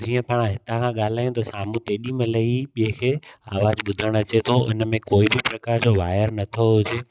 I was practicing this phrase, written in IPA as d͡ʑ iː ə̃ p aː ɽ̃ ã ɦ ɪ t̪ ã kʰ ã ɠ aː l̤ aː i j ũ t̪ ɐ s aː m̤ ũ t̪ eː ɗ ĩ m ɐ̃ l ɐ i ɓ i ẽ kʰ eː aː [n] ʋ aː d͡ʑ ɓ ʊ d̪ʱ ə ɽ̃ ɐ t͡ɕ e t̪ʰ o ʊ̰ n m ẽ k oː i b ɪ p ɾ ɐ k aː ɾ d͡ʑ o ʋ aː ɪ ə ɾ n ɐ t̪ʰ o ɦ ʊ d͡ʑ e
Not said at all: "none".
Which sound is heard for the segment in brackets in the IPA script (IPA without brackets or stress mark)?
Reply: none